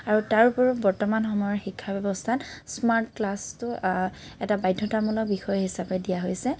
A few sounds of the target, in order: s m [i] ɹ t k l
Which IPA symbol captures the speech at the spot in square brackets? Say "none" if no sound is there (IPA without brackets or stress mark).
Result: a